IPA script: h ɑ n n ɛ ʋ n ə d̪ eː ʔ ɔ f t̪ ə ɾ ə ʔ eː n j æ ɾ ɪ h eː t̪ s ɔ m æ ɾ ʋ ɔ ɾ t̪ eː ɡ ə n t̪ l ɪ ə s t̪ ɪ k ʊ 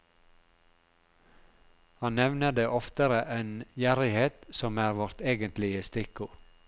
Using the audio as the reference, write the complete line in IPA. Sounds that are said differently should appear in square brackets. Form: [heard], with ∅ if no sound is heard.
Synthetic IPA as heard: h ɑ n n ɛ ʋ n ə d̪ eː ʔ ɔ f t̪ ə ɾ ə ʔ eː n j æ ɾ ɪ h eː t̪ s ɔ m [æː] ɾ ʋ ɔ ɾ t̪ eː ɡ ə n t̪ l ɪ ə s t̪ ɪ k ʊ